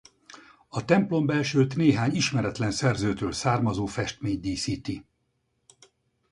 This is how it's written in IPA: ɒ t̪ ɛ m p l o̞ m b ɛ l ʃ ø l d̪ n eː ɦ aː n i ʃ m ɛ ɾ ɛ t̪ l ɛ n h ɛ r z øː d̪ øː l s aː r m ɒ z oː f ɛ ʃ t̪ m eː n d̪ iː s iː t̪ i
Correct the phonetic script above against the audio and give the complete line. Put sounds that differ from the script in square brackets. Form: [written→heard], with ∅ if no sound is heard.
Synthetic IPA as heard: ɒ t̪ ɛ m p l o̞ m b ɛ l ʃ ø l [d̪→t̪] n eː ɦ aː [n→ɲ] i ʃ m ɛ ɾ ɛ t̪ l ɛ n [h→s] ɛ r z øː [d̪→t̪] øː l s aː r m ɒ z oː f ɛ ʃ t̪ m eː [n→ɲ] d̪ iː s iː t̪ i